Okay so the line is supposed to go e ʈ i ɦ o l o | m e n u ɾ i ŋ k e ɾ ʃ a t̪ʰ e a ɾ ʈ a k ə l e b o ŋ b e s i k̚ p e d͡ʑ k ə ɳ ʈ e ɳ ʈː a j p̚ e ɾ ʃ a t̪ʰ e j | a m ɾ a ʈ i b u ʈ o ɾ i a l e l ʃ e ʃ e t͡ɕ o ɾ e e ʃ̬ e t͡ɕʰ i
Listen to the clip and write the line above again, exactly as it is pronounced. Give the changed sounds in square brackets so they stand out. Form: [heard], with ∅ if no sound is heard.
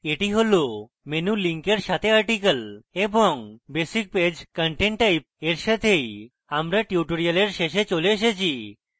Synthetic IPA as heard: e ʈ i ɦ o l o | m e n u [l] i ŋ k e ɾ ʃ a t̪ʰ e a ɾ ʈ [i] k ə l e b o ŋ b e s i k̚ p e d͡ʑ k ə ɳ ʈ e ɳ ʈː a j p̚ e ɾ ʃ a t̪ʰ e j | a m ɾ a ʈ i [∅] u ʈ o ɾ i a l e [ɾ] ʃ e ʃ e t͡ɕ o [l] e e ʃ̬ e t͡ɕʰ i

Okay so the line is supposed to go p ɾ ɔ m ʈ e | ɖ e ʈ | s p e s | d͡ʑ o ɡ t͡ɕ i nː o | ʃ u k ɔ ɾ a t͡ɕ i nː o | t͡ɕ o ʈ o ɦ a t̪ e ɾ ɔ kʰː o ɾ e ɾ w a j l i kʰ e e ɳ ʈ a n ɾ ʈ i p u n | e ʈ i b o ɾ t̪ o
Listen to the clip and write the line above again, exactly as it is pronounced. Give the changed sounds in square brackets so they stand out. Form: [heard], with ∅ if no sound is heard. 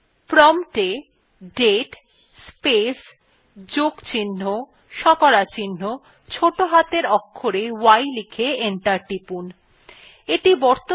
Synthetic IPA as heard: p ɾ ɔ m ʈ e | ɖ e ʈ | s p e s | d͡ʑ o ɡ t͡ɕ i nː o | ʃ [ɔ] k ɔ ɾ a t͡ɕ i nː o | [t͡ɕʰ] o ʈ o ɦ a t̪ e ɾ ɔ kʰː o ɾ e [∅] w a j l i kʰ e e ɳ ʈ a [∅] ɾ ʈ i p u n | e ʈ i b [ɔ] ɾ t̪ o

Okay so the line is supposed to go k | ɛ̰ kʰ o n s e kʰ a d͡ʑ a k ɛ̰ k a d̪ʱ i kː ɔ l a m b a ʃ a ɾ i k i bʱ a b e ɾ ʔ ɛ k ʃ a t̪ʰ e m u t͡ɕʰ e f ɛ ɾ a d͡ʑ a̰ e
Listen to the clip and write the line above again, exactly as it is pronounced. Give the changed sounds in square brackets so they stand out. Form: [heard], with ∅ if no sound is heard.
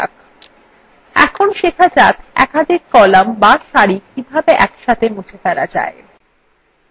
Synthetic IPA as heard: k | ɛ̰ kʰ o n [ʃ] e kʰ a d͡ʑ a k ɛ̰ k a d̪ʱ i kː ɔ l a m b a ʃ a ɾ i k i bʱ a b e [∅] ʔ ɛ k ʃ a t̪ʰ e m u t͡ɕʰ e f ɛ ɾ a d͡ʑ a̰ e

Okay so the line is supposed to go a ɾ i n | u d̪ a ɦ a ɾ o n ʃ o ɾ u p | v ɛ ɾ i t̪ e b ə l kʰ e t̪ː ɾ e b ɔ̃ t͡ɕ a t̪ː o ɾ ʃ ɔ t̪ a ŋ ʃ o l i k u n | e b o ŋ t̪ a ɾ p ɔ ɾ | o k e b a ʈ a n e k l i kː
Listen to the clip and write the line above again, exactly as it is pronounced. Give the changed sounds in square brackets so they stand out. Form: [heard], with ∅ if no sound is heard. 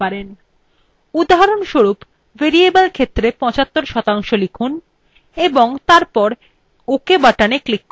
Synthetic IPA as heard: a ɾ [e] n | u d̪ a ɦ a ɾ o n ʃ o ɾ u p | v [e] ɾ i [∅] e b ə l kʰ e t̪ː ɾ e [p] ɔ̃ t͡ɕ a t̪ː o ɾ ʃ ɔ t̪ a ŋ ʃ o l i [kʰ] u n | e b o ŋ t̪ a ɾ p ɔ ɾ | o k e b a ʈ a n e k l i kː

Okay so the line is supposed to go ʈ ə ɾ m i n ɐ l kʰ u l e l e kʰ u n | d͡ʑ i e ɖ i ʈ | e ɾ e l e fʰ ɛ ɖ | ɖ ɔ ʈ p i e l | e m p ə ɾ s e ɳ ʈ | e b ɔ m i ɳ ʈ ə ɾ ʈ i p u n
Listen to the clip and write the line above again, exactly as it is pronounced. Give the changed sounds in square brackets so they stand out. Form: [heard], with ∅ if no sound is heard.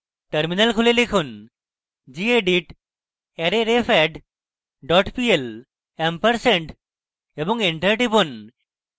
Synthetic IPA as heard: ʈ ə ɾ m i n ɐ l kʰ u l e l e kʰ u n | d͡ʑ i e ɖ i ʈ | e ɾ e [ɾ] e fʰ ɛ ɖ | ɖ ɔ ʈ p i e l | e m p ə ɾ s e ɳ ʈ | e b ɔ [ŋ] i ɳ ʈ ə ɾ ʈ i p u n

